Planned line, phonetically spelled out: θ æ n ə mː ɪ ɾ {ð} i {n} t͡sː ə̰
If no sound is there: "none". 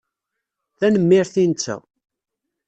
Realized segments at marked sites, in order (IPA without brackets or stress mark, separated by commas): θ, n